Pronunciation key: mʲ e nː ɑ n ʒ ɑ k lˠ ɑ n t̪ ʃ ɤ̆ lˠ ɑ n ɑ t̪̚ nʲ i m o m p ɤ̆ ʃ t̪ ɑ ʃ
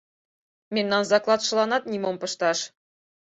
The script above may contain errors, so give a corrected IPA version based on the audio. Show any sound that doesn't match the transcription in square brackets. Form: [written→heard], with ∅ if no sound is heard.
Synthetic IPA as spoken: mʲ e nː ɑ n [ʒ→z] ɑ k lˠ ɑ [n→∅] t̪ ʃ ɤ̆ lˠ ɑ n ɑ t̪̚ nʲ i m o m p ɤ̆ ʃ t̪ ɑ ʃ